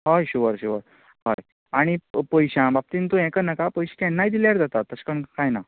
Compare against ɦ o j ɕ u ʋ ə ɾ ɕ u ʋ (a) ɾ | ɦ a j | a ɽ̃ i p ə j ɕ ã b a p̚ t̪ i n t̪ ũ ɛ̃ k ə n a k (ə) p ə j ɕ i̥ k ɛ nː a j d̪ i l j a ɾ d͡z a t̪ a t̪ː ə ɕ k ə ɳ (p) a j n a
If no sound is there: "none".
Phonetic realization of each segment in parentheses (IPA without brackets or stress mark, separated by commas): ə, a, k